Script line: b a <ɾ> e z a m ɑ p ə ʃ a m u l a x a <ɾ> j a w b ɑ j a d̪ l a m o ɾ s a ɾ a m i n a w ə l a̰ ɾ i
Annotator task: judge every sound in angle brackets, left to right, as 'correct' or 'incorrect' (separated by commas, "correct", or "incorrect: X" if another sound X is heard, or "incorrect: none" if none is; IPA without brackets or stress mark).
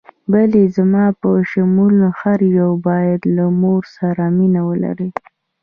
incorrect: l, correct